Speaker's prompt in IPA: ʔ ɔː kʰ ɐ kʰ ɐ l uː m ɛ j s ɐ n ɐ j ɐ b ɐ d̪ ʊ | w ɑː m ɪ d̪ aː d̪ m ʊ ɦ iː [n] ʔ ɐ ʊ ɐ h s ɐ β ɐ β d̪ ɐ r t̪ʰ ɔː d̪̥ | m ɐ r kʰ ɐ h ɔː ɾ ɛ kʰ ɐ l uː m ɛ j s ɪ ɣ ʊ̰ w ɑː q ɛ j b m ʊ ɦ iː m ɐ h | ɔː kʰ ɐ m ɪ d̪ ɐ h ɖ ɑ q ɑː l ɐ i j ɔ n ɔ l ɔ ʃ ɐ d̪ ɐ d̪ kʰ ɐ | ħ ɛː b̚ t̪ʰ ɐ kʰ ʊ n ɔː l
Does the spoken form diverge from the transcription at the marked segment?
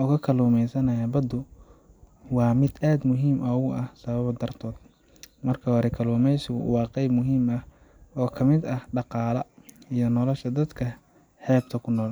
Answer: yes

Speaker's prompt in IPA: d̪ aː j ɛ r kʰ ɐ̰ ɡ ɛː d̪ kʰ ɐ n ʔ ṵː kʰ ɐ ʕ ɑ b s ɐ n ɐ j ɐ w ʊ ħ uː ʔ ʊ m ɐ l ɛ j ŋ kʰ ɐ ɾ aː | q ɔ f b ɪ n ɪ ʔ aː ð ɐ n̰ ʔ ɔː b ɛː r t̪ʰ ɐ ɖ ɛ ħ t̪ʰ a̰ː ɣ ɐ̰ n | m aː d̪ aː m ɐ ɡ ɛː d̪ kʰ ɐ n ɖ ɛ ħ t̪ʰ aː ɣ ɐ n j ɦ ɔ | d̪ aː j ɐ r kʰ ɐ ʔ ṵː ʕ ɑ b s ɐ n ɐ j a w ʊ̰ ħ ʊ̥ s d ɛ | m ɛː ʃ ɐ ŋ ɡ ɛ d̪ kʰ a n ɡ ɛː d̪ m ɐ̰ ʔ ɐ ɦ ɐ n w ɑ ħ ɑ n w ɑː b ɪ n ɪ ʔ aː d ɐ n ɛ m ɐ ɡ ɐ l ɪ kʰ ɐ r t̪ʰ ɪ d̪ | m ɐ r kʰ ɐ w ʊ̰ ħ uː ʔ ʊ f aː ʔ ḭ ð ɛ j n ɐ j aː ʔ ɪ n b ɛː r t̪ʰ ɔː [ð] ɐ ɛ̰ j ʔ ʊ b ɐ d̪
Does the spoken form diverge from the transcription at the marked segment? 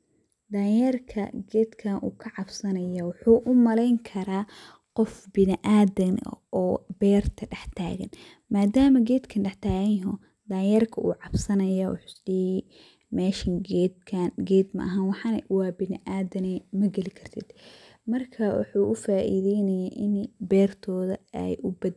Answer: no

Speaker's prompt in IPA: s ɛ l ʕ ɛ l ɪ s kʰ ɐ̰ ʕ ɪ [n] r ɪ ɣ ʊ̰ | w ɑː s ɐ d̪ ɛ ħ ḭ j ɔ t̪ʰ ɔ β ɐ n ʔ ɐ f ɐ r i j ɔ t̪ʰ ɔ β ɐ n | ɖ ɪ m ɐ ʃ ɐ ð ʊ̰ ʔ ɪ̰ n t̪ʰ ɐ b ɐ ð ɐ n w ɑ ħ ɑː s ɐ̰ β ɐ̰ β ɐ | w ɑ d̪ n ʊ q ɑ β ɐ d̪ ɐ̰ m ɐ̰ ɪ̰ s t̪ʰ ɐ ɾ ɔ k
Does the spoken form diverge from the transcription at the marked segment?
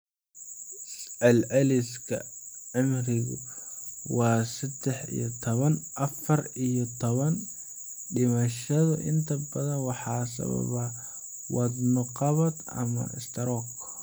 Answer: yes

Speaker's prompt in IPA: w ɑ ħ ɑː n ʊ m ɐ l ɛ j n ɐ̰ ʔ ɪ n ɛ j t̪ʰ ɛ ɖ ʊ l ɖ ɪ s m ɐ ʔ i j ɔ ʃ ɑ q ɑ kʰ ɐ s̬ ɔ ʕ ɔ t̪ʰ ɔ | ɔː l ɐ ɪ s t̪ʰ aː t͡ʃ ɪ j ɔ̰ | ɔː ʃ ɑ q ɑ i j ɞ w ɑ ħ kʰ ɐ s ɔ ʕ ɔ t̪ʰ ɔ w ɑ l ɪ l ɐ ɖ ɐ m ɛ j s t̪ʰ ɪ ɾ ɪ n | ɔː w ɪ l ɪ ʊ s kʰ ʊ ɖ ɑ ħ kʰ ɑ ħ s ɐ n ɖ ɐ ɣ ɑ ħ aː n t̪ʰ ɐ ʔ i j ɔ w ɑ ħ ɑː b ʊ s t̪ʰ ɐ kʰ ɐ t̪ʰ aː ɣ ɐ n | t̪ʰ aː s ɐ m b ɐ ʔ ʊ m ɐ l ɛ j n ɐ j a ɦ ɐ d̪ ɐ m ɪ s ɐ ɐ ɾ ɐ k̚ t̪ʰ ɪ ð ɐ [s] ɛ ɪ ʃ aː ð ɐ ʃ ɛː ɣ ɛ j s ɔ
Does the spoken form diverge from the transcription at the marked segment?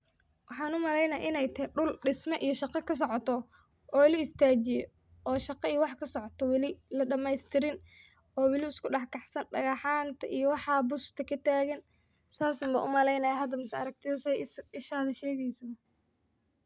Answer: no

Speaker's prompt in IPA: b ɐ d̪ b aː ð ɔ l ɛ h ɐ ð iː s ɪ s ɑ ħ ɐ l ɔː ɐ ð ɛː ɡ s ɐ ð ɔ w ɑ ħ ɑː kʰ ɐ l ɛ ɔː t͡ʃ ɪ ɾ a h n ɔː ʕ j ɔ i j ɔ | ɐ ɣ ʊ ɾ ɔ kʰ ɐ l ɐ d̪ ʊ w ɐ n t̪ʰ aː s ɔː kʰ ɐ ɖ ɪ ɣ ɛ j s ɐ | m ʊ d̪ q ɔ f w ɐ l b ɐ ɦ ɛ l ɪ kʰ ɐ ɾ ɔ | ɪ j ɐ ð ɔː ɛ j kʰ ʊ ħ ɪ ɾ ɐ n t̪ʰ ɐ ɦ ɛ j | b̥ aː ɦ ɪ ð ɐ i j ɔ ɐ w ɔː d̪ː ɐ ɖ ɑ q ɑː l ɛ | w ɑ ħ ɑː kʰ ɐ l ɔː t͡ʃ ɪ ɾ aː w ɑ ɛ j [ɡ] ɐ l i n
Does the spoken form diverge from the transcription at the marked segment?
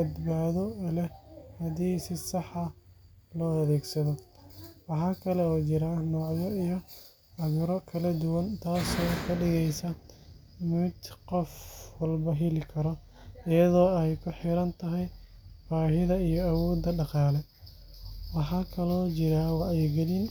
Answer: no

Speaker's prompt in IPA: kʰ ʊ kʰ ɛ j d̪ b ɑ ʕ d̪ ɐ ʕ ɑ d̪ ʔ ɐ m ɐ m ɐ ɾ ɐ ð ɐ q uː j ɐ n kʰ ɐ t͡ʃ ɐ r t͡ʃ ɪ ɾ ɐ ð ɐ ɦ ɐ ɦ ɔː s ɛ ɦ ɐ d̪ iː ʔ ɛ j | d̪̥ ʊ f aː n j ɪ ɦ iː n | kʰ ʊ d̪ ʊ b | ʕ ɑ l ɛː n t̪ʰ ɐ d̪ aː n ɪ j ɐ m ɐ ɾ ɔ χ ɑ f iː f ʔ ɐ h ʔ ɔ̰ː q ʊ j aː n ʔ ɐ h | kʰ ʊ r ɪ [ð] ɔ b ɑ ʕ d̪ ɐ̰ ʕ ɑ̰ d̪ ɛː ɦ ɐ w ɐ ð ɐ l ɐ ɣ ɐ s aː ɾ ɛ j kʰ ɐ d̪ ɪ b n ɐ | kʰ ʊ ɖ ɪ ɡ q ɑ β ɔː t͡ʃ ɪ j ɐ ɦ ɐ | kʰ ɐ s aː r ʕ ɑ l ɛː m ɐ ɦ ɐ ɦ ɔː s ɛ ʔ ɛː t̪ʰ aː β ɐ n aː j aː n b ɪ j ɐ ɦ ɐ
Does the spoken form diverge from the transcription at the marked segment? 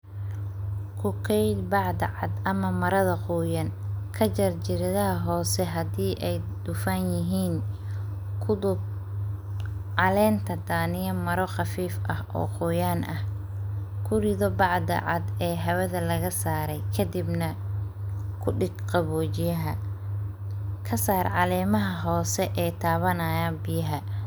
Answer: no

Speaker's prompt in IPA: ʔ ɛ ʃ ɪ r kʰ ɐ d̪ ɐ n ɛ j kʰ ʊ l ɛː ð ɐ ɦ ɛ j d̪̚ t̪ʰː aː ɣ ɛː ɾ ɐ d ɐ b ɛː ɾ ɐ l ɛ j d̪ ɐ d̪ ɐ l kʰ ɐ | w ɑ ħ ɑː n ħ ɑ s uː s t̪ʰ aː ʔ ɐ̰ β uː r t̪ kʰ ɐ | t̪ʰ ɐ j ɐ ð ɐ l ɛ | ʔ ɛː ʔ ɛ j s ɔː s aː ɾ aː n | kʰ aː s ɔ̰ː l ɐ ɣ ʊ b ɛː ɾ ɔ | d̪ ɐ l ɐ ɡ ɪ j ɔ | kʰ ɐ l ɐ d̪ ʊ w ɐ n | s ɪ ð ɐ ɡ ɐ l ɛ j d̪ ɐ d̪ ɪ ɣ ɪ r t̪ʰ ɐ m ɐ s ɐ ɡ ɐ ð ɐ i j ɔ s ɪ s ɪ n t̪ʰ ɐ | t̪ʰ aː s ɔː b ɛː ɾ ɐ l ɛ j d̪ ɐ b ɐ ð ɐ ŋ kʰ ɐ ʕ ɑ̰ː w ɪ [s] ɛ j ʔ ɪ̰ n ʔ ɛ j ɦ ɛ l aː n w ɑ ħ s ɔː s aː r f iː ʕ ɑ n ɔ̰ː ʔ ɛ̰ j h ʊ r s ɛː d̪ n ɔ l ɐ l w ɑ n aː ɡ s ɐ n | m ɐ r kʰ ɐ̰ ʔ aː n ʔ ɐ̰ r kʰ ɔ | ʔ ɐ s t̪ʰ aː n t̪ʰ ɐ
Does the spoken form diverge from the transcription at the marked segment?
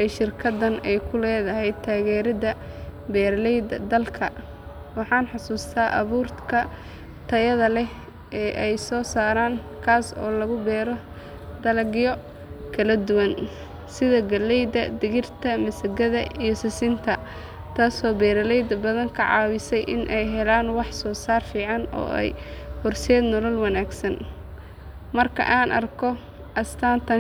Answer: no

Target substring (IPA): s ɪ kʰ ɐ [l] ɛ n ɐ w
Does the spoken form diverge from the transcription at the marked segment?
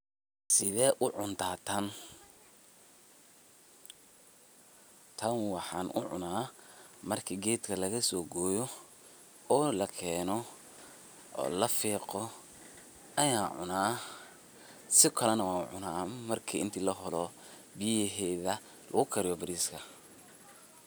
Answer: no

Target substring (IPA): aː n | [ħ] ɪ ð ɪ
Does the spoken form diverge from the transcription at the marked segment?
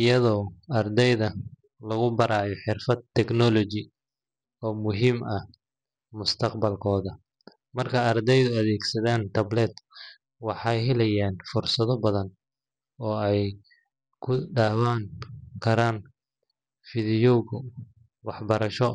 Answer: yes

